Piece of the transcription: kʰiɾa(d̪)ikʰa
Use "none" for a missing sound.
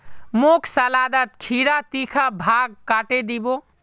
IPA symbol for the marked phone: t̪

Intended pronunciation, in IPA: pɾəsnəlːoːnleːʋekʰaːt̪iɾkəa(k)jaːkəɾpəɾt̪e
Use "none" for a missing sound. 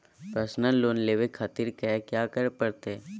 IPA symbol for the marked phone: k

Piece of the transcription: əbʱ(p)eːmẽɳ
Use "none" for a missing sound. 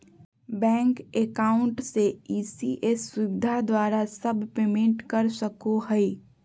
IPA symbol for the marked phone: p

